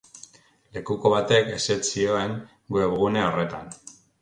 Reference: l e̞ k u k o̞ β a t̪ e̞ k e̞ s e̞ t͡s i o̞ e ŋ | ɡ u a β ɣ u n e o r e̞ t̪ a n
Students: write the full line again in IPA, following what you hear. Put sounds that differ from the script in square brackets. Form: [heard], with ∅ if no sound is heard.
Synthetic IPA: l e̞ k u k o̞ β a t̪ e̞ k e̞ s e̞ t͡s i o̞ e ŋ | ɡ u [e] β ɣ u n e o r e̞ t̪ a n